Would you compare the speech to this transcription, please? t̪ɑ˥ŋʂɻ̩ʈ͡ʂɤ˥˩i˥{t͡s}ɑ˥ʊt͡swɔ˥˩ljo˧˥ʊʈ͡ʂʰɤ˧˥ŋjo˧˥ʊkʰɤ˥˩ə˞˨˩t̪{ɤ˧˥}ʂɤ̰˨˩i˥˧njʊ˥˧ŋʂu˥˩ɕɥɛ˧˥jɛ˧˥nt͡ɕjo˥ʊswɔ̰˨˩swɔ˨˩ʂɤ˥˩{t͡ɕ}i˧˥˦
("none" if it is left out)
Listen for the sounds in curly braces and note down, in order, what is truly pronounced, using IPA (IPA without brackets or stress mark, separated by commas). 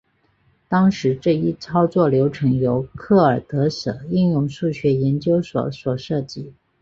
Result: t͡sʰ, ɤ˧˥, t͡ɕ